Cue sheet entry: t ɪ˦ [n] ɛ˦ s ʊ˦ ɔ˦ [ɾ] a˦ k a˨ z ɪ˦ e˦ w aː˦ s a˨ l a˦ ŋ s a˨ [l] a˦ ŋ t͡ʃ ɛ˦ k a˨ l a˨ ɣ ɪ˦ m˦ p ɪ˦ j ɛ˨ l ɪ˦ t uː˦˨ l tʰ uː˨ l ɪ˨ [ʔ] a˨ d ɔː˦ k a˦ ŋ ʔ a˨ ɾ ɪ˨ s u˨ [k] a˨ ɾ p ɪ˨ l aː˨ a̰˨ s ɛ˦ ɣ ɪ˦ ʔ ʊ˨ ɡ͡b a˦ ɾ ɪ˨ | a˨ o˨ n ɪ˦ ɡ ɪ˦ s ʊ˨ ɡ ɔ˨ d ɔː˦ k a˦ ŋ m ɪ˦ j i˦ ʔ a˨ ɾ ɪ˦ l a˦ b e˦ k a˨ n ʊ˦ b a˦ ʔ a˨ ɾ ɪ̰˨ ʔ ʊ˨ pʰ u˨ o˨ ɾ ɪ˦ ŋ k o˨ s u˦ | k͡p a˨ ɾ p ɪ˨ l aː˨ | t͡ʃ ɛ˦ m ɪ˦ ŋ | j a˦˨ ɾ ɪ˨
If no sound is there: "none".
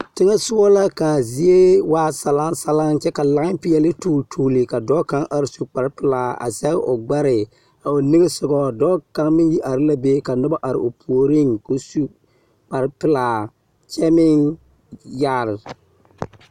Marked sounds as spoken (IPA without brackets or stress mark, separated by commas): ŋ, l, l, k, k͡p